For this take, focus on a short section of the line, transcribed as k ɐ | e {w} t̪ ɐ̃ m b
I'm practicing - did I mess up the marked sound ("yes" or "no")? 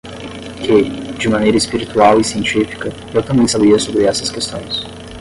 no